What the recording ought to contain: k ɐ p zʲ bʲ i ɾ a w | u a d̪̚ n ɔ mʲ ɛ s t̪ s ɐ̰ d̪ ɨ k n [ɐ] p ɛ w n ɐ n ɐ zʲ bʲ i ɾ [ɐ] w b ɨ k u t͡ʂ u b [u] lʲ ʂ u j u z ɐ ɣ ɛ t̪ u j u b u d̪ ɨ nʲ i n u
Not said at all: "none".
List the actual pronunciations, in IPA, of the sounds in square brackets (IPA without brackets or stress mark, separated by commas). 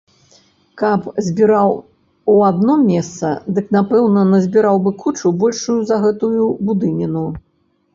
a, a, ɔ